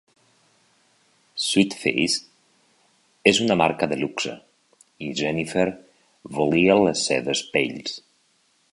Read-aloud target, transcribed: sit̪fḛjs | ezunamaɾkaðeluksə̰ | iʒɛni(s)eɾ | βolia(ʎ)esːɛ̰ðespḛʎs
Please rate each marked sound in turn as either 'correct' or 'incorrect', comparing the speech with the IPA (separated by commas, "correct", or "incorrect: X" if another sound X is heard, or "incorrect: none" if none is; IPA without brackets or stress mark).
incorrect: f, incorrect: l